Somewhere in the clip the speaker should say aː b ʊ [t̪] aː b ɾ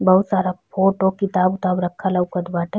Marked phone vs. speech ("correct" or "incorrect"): correct